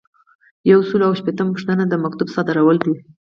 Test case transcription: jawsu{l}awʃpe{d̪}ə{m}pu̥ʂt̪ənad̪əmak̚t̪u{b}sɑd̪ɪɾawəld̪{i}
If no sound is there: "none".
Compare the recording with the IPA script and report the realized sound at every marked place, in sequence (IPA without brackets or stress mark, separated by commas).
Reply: l, t̪, m, b, i